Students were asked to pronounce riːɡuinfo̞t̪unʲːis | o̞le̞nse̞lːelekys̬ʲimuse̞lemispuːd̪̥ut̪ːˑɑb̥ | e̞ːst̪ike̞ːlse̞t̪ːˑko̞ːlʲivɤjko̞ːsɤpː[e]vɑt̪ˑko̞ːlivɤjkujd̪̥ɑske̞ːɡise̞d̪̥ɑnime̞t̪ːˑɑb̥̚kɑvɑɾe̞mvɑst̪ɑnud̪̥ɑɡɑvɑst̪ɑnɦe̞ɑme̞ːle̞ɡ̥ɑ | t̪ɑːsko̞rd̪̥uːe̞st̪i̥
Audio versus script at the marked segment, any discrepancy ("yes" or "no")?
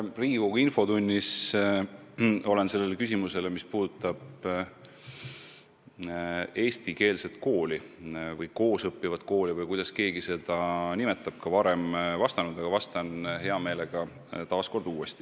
yes